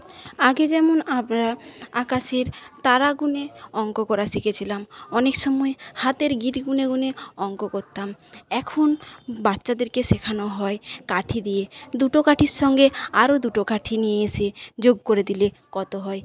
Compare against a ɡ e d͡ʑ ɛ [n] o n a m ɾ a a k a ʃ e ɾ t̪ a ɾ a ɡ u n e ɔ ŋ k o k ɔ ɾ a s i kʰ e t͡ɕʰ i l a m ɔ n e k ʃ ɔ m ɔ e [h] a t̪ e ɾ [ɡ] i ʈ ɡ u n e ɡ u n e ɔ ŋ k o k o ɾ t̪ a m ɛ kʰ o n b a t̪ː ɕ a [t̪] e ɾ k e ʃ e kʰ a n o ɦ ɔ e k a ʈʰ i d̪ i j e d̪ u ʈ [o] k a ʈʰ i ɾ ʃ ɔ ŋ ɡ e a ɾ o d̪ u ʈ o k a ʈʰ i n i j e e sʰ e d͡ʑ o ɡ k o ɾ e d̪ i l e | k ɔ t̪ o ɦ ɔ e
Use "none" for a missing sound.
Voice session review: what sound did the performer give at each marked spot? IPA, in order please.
m, h, ɡ, d̪, o

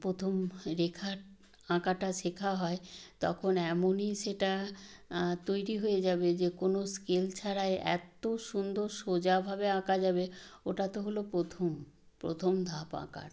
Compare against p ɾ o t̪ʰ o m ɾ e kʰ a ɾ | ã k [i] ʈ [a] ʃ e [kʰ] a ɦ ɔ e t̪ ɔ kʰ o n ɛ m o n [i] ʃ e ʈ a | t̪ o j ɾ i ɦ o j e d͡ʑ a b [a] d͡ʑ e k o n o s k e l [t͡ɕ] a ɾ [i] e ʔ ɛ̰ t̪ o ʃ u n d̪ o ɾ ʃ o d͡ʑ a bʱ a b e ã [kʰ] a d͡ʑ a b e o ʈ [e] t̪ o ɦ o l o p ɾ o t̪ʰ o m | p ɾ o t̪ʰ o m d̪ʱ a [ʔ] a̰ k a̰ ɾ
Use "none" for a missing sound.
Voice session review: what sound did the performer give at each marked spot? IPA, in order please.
a, a, kʰ, i, e, t͡ɕʰ, a, k, a, p

